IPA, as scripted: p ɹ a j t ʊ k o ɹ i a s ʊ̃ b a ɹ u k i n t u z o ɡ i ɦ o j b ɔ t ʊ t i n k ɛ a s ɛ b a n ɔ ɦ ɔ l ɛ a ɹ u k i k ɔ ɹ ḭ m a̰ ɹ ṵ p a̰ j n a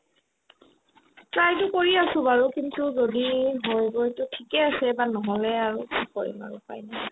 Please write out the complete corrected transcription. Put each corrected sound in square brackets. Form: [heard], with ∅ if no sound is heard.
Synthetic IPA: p ɹ a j t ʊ k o ɹ i a s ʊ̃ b a ɹ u k i n t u z o [d] i ɦ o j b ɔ t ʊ [tʰ] i [∅] k ɛ a s ɛ b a n ɔ ɦ ɔ l ɛ a ɹ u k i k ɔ ɹ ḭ m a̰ ɹ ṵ p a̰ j n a

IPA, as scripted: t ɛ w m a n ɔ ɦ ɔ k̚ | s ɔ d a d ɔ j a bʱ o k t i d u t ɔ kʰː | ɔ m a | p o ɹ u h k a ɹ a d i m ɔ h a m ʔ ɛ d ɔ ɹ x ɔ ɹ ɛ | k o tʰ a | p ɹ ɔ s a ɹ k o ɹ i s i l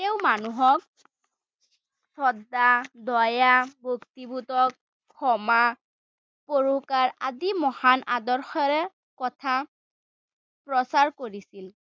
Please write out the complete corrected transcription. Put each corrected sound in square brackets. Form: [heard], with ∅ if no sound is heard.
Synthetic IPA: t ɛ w m a n [u] ɦ ɔ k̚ | s ɔ d a d ɔ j a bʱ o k t i [b] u t ɔ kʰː | ɔ m a | p o ɹ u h k a ɹ a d i m ɔ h a [n] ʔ [a] d ɔ ɹ x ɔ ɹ ɛ | k [ɔ] tʰ a | p ɹ ɔ s a ɹ k o ɹ i s i l

